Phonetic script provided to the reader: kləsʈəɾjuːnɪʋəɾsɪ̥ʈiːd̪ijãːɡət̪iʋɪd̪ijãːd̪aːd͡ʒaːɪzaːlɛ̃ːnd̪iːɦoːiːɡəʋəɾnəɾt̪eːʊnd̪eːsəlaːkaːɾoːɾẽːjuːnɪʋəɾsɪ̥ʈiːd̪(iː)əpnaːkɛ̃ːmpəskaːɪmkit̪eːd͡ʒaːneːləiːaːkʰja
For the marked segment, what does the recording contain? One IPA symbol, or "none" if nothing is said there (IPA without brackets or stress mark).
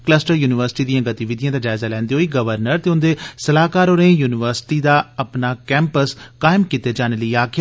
aː